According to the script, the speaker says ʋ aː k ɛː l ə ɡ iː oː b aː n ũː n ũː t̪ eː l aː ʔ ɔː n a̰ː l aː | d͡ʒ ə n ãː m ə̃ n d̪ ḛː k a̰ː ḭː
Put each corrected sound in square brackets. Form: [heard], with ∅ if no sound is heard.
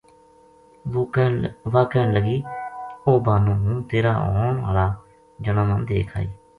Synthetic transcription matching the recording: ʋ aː k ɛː l ə ɡ iː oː b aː n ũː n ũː t̪ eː [ɾ] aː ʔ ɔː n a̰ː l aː | d͡ʒ ə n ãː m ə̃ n d̪ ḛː [kʰ] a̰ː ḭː